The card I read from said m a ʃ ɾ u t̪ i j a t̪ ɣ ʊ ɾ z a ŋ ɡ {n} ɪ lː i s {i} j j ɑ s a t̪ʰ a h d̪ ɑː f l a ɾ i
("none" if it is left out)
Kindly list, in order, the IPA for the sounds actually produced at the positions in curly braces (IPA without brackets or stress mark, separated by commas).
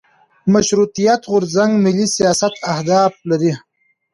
m, i